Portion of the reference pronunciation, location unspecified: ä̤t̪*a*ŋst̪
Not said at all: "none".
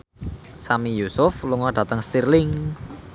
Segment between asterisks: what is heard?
ə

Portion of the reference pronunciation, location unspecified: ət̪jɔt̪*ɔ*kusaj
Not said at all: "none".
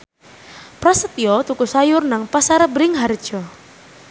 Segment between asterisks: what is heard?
u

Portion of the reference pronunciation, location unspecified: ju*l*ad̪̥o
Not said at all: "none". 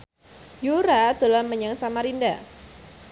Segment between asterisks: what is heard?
ɾ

